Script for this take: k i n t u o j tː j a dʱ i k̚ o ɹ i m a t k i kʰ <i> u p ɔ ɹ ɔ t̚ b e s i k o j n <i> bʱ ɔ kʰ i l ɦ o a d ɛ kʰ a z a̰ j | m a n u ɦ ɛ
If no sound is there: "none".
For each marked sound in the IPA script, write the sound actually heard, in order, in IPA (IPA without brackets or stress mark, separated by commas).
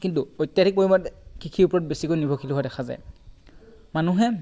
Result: i, i